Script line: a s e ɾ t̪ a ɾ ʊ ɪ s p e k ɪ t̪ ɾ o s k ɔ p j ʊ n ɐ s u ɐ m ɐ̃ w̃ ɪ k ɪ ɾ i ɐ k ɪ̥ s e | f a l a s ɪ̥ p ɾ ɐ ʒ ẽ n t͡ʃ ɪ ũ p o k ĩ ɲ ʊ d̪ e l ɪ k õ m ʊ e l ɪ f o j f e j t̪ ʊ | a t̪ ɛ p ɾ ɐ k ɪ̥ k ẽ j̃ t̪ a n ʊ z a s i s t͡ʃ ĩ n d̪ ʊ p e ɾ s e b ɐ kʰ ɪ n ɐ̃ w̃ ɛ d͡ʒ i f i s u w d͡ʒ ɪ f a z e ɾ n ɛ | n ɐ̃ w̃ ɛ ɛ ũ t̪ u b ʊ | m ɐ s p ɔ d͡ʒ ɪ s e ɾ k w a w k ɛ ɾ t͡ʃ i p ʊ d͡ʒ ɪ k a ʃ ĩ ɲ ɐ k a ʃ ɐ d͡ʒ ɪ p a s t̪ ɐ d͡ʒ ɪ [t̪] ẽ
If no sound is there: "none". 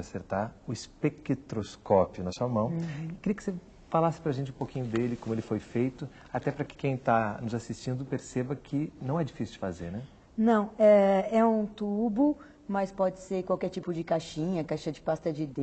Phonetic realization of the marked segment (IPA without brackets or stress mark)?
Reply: d̪